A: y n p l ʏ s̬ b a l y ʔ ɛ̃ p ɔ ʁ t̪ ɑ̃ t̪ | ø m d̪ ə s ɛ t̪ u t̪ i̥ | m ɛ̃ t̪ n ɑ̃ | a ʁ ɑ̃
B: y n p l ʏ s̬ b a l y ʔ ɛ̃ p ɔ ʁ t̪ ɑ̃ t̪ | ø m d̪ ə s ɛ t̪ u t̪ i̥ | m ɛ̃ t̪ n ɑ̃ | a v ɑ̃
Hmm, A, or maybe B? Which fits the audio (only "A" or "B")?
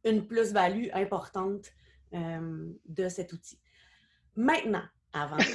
B